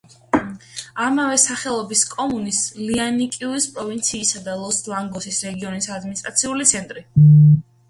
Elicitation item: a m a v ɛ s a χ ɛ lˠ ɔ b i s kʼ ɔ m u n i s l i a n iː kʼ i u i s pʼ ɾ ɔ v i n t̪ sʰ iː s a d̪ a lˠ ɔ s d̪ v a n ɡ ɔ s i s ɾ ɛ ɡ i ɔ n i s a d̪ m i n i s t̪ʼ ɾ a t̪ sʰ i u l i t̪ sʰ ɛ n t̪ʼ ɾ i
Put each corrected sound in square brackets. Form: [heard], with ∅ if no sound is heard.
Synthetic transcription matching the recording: a m a v ɛ s a χ ɛ lˠ ɔ b i s kʼ ɔ m u n i s l i a n [i] kʼ i u i s pʼ ɾ ɔ v i n t̪ sʰ iː s a d̪ a lˠ ɔ s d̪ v a [ŋ] ɡ ɔ s i s ɾ ɛ ɡ i ɔ n i s a d̪ m i n i s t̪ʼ ɾ a t̪ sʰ i u l i t̪ sʰ ɛ n t̪ʼ ɾ i